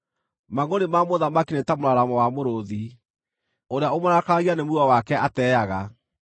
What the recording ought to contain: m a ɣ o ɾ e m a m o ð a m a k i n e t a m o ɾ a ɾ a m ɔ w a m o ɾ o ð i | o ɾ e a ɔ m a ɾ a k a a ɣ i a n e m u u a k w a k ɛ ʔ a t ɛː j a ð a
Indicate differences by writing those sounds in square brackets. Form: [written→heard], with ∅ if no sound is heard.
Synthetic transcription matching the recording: m a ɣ o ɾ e m a m o ð a m a k i n e t a m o ɾ a ɾ a m ɔ w a m o ɾ o ð i | o ɾ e a [ɔ→o] m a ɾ a k a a ɣ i a n e m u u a [k→∅] w a k ɛ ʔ a t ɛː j a [ð→ɣ] a